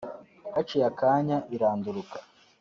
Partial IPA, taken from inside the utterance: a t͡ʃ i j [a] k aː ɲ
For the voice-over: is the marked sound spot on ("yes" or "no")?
yes